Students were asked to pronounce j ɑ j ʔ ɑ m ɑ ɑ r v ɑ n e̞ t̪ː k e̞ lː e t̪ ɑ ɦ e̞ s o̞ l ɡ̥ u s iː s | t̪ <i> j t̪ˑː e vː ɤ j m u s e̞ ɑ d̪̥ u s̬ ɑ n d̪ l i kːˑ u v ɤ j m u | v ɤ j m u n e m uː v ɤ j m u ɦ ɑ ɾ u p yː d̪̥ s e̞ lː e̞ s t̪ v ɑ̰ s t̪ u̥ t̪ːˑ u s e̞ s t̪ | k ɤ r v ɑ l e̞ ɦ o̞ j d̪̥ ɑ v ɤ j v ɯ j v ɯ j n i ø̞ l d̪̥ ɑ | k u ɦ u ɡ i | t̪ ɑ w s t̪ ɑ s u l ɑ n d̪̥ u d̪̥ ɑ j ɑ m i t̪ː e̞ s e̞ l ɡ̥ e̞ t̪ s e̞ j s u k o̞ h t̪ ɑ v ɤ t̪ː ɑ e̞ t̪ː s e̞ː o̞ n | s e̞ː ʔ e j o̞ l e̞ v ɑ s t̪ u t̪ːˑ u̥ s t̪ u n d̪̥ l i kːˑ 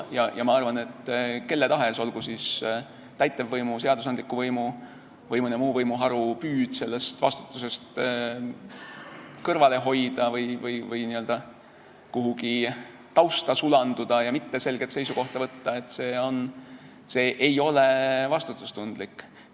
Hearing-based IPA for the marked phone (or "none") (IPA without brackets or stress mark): æ